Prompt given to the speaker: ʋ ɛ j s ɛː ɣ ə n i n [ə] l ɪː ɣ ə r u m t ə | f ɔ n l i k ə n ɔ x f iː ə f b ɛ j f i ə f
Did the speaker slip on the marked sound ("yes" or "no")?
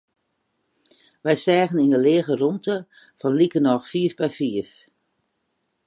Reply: no